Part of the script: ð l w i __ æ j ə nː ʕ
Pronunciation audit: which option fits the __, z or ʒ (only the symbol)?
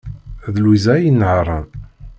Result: z